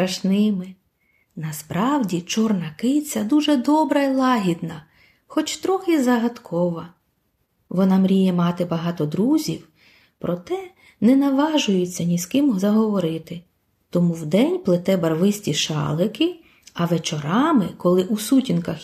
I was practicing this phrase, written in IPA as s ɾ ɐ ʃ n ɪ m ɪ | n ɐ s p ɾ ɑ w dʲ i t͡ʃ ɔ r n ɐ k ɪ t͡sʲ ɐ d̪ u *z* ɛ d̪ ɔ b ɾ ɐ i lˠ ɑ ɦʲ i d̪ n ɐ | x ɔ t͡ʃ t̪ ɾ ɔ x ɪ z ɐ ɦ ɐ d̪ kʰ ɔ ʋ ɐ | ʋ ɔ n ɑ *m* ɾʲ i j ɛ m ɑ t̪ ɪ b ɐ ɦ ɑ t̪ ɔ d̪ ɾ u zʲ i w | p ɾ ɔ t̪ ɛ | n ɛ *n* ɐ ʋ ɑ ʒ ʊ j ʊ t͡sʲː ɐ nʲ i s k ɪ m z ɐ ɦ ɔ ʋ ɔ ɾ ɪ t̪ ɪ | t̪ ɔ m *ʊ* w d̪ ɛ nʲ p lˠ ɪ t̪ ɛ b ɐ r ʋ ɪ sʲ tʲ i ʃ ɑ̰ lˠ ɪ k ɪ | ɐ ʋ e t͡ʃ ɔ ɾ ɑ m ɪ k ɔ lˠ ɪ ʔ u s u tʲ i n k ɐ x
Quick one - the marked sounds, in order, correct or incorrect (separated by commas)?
incorrect, correct, correct, incorrect